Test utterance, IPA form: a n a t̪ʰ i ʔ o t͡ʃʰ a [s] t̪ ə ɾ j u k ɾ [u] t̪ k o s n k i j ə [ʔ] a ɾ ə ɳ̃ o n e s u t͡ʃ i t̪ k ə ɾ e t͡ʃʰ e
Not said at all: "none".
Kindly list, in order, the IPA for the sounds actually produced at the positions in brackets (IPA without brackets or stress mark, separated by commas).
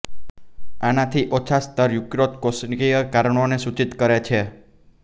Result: s, o, k